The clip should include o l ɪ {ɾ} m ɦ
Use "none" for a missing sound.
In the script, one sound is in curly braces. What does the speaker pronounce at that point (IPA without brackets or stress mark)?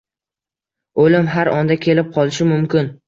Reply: none